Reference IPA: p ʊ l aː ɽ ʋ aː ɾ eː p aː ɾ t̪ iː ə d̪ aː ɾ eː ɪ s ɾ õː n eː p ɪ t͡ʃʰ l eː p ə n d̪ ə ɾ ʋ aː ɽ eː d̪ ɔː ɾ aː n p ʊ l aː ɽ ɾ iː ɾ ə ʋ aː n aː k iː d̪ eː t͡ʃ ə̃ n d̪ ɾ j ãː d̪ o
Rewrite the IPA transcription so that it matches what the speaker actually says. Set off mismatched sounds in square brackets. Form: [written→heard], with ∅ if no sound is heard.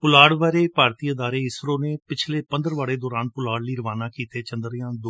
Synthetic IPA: p ʊ l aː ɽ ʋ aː ɾ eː p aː ɾ t̪ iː ə d̪ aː ɾ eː ɪ s ɾ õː n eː p ɪ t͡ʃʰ l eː p ə n d̪ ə ɾ ʋ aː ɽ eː d̪ ɔː ɾ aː n p ʊ l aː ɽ [ɾ→l] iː ɾ ə ʋ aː n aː k iː [d̪→t̪] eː t͡ʃ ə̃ n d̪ ɾ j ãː d̪ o